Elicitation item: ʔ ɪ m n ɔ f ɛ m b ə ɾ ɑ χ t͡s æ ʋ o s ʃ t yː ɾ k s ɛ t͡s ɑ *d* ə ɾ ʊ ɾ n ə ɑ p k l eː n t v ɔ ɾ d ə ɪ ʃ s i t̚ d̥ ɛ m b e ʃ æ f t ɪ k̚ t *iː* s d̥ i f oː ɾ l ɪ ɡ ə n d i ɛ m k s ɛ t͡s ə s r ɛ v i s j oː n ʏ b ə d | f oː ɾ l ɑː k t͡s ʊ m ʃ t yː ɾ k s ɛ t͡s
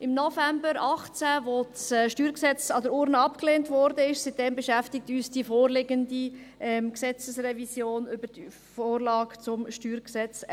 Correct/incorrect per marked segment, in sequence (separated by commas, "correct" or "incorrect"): correct, incorrect